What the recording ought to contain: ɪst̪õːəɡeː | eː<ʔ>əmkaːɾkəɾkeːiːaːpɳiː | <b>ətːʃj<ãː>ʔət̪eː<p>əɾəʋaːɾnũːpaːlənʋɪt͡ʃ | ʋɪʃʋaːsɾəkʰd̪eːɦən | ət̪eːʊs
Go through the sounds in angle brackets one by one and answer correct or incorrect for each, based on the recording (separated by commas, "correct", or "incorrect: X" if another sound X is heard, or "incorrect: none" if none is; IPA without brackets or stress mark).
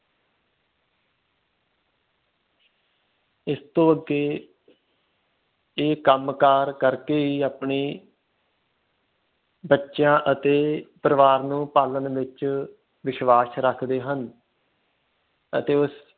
incorrect: k, correct, correct, correct